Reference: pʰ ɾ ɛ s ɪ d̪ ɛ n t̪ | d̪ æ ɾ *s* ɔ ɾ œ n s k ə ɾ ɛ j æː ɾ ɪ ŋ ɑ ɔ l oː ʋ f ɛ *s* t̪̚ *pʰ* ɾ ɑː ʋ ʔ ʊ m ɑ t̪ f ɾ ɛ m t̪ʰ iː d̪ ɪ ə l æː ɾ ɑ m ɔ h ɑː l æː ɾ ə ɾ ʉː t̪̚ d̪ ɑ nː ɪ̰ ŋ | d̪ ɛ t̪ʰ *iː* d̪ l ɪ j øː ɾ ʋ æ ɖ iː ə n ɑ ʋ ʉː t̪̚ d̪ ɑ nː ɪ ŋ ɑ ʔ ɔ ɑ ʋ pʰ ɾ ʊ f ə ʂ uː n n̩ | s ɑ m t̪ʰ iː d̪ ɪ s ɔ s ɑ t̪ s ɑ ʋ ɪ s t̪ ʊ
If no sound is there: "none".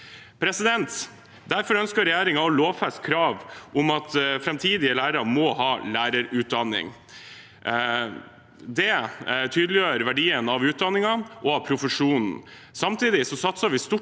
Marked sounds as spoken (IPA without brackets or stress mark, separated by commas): f, s, kʰ, yː